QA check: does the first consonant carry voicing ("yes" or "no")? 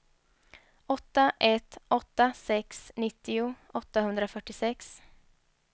no